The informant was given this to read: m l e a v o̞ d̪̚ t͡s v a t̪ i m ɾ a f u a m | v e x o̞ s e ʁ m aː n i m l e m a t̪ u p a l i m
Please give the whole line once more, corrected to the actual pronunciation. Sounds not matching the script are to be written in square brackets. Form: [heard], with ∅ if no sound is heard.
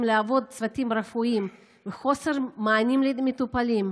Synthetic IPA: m l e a v o̞ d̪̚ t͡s v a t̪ i m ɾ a f u [i] m | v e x o̞ s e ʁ m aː n i m l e m [e] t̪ u p a l i m